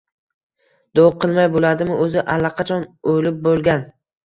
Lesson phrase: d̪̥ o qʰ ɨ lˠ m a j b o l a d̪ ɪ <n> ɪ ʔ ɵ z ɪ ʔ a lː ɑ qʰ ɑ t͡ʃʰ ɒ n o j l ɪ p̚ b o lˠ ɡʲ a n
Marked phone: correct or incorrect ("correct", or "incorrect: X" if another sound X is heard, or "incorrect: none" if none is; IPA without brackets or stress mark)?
incorrect: m